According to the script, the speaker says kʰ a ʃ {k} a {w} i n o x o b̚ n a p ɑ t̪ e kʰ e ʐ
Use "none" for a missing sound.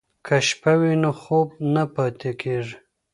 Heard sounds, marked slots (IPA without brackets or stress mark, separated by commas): p, w